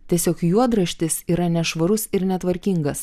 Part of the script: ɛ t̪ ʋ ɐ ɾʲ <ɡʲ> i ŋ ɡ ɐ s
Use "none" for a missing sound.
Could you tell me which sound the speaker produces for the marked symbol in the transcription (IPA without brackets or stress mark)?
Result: kʲ